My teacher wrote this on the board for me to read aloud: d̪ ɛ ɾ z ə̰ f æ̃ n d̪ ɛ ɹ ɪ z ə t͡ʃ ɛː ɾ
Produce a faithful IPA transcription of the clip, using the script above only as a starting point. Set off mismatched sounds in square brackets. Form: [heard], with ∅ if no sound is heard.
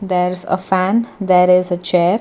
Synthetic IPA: d̪ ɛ ɾ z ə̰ f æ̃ n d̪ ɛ [ɾ] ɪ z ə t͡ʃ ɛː ɾ

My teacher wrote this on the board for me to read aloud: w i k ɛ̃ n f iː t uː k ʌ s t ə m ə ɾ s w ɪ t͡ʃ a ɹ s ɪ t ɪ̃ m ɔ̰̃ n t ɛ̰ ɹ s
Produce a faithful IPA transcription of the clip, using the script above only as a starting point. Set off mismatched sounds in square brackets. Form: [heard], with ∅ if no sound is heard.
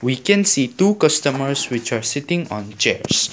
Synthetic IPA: w i k ɛ̃ n [s] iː t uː k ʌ s t ə m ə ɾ s w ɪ t͡ʃ a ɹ s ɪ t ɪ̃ [ŋ] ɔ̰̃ n [t͡ʃ] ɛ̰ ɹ s

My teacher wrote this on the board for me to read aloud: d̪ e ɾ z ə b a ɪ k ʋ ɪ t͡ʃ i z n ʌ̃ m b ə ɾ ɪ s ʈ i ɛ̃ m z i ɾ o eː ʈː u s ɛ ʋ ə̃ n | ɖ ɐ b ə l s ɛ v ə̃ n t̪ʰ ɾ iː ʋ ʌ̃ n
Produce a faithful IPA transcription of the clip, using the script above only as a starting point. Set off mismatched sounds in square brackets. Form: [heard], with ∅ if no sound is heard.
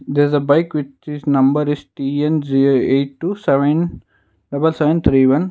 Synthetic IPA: d̪ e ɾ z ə b a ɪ k ʋ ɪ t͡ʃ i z n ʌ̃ m b ə ɾ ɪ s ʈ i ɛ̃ [n] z i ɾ o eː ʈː u s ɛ ʋ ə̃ n | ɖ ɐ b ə l s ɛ [ʋ] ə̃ n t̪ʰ ɾ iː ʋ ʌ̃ n

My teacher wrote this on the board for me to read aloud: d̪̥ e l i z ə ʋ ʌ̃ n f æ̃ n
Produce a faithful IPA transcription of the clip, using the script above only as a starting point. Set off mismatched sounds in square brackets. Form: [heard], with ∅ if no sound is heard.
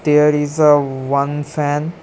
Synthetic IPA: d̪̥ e [ɾ] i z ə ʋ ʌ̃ n f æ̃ n

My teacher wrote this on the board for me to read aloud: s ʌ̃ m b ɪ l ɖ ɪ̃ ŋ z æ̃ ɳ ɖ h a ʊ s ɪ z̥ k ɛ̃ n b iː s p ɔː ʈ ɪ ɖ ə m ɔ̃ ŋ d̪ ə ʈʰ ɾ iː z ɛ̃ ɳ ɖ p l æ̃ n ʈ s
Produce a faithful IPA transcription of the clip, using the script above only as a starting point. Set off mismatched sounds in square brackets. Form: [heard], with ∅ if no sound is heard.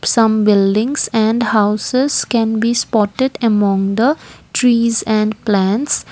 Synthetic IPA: s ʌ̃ m b ɪ l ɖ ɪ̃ ŋ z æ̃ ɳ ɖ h a ʊ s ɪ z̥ k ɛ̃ n b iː s p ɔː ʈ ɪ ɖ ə m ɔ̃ ŋ d̪ ə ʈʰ ɾ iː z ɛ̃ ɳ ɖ p l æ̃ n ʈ s

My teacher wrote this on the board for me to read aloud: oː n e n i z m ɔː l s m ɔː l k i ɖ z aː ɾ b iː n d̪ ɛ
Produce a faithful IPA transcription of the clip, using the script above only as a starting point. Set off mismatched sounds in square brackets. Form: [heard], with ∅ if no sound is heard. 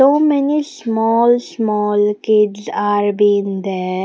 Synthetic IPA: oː [m] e n i [s] m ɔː l s m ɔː l k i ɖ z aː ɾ b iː n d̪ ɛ

